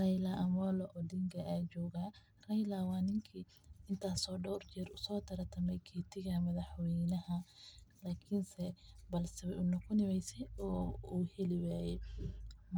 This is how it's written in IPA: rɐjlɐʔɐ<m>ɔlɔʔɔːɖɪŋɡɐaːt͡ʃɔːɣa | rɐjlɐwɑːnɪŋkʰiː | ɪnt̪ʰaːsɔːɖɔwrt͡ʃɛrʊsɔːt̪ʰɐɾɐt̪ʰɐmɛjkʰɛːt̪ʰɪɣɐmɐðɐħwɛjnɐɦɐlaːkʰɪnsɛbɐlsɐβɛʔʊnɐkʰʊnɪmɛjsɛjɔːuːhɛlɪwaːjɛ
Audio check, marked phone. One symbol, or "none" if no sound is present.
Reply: m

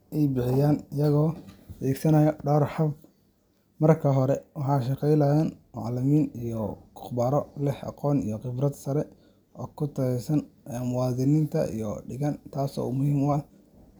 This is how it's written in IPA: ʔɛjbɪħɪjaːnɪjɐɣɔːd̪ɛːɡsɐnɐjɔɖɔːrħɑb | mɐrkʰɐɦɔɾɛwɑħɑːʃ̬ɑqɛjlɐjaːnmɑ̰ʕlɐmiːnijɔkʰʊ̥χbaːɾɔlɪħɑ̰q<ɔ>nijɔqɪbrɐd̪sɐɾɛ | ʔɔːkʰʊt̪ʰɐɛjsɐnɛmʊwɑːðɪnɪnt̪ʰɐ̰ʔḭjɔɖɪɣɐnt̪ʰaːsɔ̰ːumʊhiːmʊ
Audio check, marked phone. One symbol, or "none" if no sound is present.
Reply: ɔː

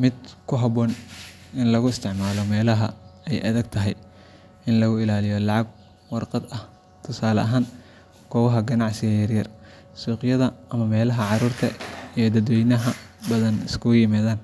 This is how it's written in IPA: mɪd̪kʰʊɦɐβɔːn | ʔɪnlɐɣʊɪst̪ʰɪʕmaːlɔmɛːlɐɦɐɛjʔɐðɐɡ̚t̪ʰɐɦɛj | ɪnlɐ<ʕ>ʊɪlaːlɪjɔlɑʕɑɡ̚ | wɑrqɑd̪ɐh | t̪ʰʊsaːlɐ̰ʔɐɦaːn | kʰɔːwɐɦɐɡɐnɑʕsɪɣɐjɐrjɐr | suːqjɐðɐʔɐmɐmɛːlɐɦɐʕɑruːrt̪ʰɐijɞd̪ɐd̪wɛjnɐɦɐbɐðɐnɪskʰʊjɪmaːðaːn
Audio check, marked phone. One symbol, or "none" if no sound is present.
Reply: ɣ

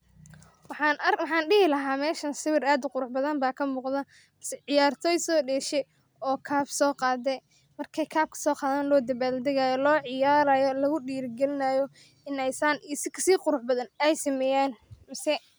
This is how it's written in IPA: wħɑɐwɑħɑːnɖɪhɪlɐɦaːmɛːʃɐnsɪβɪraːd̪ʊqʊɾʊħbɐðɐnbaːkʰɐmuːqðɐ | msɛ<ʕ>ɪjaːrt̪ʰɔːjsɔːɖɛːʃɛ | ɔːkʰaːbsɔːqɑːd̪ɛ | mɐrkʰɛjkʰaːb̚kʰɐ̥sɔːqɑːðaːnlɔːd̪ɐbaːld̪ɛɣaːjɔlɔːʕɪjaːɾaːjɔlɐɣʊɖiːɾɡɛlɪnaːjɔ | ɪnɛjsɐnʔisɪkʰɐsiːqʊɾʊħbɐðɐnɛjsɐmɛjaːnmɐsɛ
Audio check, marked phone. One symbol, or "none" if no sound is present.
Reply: ʕ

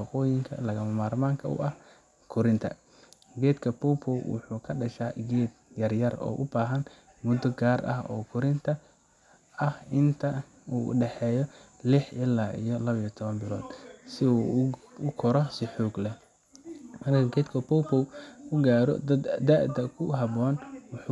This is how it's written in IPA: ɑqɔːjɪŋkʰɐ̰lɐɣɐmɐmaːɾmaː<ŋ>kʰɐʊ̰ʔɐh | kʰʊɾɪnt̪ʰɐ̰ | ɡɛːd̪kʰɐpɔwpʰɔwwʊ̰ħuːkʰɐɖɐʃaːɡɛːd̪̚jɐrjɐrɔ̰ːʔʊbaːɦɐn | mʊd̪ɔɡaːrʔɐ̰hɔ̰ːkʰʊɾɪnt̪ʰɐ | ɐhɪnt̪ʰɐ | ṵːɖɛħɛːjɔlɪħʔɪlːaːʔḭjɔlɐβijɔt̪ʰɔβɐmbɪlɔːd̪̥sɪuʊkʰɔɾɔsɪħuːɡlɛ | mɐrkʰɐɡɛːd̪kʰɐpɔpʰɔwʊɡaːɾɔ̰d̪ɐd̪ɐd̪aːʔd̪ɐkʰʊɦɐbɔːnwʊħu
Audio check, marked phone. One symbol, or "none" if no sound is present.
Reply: ŋ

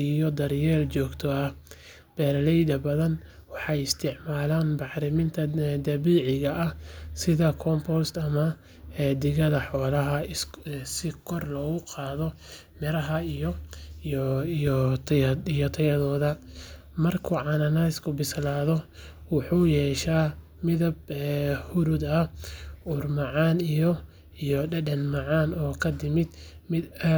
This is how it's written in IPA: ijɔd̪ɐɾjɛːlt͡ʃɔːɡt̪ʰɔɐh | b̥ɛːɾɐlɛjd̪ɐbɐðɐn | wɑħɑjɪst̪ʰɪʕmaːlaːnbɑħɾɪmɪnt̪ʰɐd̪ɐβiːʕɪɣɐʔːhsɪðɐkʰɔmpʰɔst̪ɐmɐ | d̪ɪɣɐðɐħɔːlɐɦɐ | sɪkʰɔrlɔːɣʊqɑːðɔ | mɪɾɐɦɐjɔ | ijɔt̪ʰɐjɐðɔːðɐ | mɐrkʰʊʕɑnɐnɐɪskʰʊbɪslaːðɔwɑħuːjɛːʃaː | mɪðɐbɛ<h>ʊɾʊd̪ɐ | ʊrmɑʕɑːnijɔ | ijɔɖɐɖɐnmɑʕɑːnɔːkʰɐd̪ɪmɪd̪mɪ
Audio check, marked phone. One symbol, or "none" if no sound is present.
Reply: h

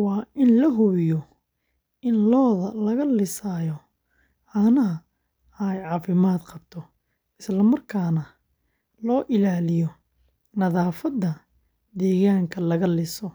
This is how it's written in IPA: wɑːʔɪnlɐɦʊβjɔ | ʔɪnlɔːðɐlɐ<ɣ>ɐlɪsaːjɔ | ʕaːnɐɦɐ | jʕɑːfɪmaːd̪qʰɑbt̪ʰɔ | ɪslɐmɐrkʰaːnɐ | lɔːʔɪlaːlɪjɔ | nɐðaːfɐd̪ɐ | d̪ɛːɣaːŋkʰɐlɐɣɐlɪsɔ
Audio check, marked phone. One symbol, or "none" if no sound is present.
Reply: ɣ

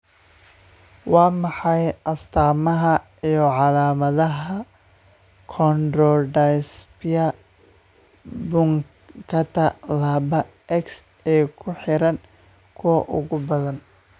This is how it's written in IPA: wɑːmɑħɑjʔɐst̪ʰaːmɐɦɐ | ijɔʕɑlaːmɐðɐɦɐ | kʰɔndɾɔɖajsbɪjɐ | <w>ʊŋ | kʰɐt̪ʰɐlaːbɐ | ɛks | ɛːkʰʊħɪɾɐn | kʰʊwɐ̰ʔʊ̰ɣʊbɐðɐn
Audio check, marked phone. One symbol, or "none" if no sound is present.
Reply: b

